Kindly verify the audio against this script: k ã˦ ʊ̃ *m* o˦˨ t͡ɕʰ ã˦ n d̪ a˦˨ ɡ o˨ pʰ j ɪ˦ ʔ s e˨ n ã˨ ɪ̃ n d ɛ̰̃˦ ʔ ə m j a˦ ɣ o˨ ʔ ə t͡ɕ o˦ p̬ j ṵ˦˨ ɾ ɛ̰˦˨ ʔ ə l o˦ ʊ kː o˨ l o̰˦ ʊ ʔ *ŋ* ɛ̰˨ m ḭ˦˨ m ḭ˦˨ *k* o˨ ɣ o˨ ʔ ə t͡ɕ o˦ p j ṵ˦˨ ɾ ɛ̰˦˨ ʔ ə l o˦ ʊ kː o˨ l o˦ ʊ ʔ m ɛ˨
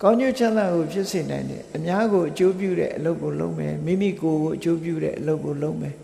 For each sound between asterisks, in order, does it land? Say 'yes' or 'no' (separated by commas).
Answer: no, no, yes